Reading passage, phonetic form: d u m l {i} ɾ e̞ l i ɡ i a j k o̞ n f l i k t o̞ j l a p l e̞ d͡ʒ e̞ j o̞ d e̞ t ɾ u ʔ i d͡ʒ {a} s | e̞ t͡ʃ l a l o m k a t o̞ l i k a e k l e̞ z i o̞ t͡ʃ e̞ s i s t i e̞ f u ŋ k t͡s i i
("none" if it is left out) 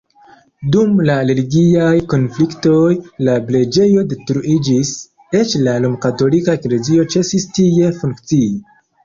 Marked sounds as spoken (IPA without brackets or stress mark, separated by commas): a, i